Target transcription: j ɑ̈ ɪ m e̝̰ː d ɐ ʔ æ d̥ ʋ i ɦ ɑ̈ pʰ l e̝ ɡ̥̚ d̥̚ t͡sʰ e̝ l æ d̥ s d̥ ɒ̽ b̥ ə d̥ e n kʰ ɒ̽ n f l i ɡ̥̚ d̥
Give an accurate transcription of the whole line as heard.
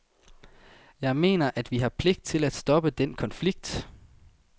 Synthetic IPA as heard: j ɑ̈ ɪ m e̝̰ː n ɐ ʔ æ d̥ ʋ i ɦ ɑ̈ pʰ l e̝ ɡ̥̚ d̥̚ t͡sʰ e̝ l æ d̥ s d̥ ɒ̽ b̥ ə d̥ e n kʰ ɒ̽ n f l i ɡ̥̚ d̥